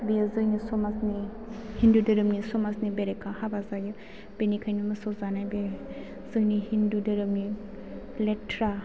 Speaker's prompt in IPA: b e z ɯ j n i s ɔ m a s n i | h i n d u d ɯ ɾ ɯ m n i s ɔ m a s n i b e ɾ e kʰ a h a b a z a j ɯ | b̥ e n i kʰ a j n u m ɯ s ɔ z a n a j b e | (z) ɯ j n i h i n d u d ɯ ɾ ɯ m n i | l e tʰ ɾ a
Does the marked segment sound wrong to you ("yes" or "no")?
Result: no